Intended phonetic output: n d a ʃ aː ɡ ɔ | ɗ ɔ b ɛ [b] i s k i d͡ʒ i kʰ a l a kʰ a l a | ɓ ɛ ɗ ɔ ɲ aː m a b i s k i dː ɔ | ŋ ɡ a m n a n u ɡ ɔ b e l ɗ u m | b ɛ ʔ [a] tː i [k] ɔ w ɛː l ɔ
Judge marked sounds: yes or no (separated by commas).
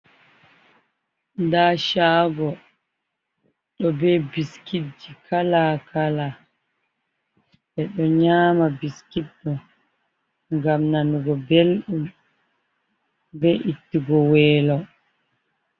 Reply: yes, no, no